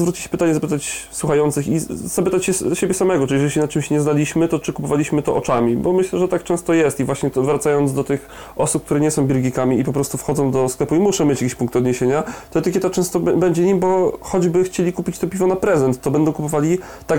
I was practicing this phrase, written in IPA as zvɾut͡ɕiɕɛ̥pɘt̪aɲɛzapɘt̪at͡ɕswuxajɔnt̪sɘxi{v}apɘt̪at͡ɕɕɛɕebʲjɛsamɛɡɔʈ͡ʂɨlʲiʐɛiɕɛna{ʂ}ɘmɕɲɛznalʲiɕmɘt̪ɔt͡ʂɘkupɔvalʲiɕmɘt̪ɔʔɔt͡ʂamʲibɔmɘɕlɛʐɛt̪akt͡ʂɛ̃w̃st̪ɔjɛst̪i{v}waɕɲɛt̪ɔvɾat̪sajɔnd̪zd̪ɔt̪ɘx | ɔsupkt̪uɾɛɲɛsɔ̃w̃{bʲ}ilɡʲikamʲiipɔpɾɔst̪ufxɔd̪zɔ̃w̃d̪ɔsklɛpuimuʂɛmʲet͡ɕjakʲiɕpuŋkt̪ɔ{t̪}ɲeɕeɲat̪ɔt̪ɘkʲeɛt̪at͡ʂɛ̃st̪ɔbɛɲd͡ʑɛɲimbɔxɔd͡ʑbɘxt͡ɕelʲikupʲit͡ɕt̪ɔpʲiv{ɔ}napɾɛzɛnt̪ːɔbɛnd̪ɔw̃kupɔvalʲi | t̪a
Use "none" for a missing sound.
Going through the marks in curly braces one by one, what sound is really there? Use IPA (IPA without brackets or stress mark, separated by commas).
z, t͡ʂ, v, bʲ, d̪, ɔ